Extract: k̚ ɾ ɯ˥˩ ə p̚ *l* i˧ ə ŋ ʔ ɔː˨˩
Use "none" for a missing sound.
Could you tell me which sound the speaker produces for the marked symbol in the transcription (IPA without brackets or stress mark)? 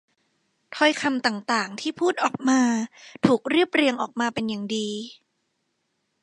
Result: ɾ